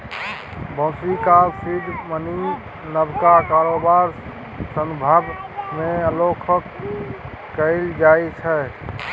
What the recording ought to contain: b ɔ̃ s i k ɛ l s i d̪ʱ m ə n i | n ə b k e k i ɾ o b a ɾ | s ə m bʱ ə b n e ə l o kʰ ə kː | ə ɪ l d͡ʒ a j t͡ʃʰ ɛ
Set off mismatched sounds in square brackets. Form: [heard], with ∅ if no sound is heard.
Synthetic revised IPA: b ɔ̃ s i k [a] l s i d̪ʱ m ə n i | n ə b k [a] k [a] ɾ o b a ɾ | s ə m bʱ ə b [m] e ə l o kʰ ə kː | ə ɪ l d͡ʒ a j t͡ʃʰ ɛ